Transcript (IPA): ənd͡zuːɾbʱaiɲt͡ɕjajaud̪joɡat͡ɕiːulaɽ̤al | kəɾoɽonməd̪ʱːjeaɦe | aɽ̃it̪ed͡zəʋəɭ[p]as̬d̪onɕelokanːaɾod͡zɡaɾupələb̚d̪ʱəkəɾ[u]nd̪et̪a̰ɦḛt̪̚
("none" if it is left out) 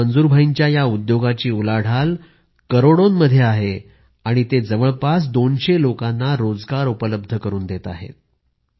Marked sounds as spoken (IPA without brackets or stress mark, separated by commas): p, uː